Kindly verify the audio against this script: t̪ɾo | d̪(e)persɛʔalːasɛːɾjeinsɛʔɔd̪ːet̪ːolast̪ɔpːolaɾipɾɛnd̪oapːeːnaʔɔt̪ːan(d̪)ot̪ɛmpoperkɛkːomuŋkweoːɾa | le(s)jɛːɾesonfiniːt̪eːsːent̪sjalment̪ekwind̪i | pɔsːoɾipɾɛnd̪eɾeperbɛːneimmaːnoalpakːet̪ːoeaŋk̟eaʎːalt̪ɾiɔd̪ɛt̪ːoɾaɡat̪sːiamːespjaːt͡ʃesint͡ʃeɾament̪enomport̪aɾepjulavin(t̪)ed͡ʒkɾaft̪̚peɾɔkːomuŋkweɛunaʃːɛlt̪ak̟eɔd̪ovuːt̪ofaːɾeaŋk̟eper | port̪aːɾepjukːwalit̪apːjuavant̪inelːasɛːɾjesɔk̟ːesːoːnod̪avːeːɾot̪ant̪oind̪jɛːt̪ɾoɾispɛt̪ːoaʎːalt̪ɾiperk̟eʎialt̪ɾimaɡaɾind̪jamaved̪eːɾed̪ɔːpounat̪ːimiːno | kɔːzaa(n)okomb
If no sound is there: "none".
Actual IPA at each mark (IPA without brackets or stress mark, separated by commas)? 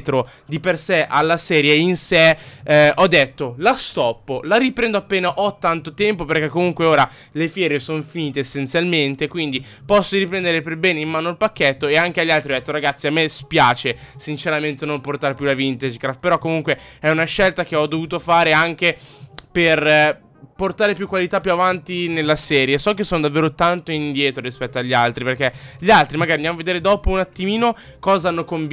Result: i, t̪, f, t̪, nː